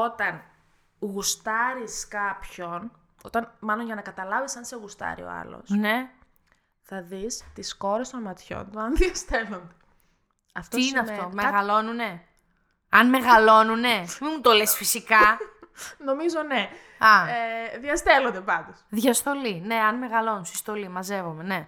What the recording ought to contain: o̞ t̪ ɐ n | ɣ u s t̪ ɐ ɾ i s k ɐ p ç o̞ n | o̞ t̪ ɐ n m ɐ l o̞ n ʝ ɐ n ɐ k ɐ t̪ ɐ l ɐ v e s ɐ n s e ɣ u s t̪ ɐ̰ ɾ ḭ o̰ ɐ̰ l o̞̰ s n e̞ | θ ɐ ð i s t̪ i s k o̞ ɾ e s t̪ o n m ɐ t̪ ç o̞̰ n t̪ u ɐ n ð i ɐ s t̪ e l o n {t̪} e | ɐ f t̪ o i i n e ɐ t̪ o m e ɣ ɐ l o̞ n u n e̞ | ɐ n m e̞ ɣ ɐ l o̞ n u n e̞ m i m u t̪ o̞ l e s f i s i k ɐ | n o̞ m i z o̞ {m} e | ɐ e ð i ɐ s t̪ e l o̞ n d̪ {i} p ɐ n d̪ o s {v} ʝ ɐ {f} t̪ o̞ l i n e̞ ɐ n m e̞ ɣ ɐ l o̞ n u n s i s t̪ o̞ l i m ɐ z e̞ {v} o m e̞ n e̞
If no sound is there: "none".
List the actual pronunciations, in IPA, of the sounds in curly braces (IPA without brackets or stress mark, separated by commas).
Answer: d̪, n, e, ð, s, v